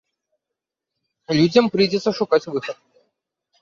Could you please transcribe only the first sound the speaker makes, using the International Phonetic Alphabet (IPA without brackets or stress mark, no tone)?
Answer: lʲ